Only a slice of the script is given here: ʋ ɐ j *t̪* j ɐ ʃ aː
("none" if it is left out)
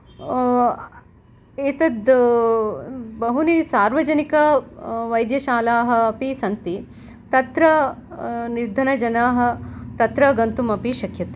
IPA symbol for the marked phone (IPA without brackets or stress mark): d̪